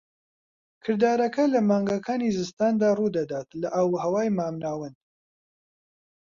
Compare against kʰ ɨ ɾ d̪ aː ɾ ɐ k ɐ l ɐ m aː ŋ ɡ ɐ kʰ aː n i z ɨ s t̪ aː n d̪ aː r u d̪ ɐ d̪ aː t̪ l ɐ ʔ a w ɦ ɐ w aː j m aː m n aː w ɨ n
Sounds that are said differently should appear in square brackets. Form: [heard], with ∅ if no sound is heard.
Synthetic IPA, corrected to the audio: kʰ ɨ ɾ d̪ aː ɾ ɐ k ɐ l ɐ m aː ŋ ɡ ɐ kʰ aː n i z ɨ s t̪ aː n d̪ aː r u d̪ ɐ d̪ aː t̪ l ɐ ʔ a w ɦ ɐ w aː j m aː m n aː w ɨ n